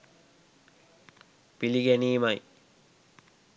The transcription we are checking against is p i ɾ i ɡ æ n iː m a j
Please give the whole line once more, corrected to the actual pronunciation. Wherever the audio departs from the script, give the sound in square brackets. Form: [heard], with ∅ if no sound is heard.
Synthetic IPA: p i [l] i ɡ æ n iː m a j